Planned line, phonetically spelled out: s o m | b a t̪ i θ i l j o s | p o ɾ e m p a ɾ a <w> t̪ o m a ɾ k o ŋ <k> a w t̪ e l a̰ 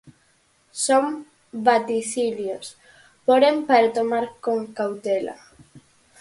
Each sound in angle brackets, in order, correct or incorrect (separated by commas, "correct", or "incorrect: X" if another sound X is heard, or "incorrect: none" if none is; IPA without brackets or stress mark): incorrect: none, correct